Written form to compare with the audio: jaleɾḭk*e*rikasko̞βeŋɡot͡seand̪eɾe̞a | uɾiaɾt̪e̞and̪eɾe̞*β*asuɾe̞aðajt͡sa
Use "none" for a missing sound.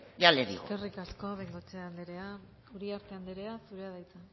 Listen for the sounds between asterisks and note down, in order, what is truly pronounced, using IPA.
e, none

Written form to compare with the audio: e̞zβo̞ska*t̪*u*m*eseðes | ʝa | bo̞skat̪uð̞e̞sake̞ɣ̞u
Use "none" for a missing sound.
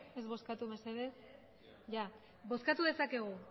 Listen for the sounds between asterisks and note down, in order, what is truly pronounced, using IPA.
t̪, m

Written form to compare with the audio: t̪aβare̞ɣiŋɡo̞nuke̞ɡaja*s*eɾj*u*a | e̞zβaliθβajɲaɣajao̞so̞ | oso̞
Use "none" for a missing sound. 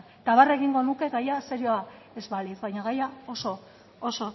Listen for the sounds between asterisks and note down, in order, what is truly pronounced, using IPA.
s, o

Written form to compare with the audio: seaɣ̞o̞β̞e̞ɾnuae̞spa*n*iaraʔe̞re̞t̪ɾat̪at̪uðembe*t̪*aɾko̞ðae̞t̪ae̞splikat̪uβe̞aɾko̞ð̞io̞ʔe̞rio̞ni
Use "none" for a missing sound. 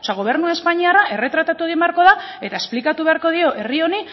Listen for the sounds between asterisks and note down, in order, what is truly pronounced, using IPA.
ɲ, none

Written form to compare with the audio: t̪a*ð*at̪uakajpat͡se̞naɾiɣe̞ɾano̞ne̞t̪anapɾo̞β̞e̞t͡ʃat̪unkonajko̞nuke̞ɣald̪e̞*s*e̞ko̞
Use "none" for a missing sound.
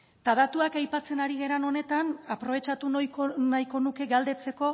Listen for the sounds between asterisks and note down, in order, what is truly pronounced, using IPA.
ð, t͡s

